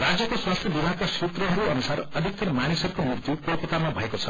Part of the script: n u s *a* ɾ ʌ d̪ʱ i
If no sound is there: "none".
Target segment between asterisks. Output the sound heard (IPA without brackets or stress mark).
a